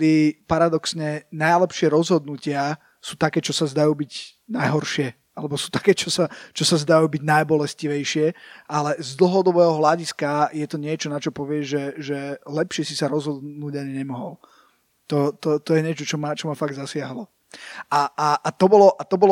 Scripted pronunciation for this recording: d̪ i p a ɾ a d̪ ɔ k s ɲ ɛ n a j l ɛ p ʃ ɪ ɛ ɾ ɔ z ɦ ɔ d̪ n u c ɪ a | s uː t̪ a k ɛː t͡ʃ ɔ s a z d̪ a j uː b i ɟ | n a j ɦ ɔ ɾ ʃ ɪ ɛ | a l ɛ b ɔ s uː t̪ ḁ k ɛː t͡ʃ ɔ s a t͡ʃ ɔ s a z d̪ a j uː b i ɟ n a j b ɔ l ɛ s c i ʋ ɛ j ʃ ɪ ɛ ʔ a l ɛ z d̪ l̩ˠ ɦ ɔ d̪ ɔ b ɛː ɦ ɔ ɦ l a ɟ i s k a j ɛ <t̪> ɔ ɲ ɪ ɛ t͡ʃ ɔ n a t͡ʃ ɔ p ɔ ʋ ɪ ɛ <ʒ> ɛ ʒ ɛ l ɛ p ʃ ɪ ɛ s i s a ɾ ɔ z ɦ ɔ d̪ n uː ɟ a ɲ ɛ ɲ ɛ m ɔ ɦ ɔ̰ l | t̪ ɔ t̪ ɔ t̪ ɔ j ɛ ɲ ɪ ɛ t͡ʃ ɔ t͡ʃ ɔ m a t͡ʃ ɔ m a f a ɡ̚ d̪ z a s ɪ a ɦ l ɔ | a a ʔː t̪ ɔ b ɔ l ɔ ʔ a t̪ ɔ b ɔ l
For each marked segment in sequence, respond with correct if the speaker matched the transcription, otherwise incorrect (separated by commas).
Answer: correct, correct